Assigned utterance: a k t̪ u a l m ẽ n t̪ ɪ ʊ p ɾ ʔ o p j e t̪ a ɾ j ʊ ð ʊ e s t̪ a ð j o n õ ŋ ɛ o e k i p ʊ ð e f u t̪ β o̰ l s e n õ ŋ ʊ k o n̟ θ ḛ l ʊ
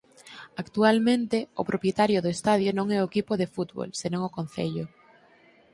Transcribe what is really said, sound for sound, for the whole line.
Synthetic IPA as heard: a k t̪ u a l m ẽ n t̪ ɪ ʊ p ɾ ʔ o p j e t̪ a ɾ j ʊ ð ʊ e s t̪ a ð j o n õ ŋ ɛ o e k i p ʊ ð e f u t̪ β o̰ l s e n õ ŋ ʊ k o n̟ θ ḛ ʎ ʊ